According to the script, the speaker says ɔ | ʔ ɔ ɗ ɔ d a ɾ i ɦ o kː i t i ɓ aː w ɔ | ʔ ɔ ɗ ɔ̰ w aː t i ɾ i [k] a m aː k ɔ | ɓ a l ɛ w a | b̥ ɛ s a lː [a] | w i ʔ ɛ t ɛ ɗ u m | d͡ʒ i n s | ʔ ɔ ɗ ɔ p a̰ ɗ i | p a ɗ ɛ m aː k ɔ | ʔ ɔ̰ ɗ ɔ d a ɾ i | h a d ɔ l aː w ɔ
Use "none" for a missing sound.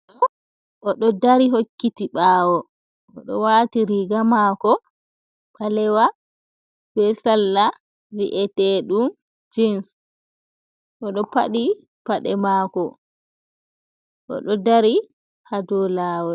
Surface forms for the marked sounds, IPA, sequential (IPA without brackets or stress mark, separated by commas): ɡ, a